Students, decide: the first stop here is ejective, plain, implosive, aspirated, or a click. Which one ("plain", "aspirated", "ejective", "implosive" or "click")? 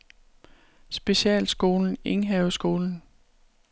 plain